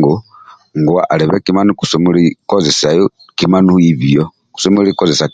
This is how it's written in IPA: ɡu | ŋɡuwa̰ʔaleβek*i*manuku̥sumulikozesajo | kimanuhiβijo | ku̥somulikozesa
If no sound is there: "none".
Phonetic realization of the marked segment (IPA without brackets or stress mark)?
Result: i